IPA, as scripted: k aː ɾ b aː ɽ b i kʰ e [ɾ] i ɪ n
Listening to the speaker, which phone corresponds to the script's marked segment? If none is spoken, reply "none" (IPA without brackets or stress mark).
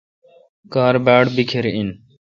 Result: ɾ